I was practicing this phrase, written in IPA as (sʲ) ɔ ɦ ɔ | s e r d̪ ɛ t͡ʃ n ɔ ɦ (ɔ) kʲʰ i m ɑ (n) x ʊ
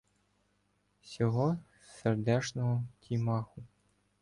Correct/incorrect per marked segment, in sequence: correct, correct, incorrect: none

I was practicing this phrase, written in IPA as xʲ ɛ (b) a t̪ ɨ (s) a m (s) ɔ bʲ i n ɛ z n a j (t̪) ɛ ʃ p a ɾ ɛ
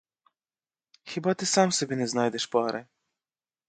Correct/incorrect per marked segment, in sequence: correct, correct, correct, incorrect: d̪

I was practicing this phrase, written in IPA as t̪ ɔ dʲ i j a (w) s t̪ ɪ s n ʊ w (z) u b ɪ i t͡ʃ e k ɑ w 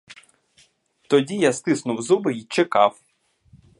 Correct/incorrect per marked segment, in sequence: incorrect: none, correct

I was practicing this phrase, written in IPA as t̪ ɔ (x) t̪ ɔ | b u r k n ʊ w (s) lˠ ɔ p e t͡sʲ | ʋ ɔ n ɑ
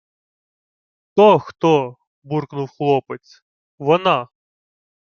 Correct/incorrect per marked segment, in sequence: correct, incorrect: x

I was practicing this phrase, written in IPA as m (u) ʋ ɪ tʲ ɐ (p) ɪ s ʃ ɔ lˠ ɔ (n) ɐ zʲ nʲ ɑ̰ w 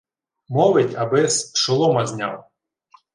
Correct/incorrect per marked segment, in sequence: incorrect: ɔ, incorrect: b, incorrect: m

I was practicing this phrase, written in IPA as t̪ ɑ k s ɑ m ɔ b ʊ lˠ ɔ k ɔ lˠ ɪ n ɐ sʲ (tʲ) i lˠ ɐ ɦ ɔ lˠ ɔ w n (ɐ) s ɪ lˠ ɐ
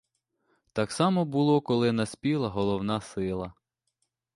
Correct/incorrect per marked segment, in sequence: incorrect: pʲ, incorrect: ɑ

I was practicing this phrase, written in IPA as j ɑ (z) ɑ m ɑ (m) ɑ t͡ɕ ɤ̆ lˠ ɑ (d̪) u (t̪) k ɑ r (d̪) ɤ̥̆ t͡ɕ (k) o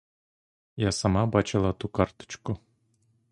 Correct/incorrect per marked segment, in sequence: incorrect: s, incorrect: b, incorrect: t̪, incorrect: none, incorrect: t̪, correct

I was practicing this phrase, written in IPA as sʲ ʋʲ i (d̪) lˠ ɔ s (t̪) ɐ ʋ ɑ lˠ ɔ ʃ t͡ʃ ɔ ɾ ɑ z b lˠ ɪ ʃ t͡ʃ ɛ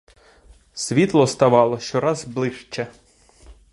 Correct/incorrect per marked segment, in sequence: incorrect: t̪, correct

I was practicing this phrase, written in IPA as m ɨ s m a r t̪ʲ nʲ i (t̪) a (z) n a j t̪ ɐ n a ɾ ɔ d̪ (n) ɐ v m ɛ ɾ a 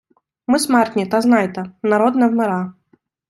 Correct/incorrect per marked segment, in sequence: correct, correct, correct

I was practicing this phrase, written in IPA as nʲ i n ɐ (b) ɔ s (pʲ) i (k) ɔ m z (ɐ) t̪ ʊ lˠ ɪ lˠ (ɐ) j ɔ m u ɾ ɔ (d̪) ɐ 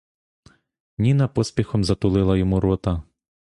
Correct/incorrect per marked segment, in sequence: incorrect: p, correct, incorrect: x, correct, correct, incorrect: t̪

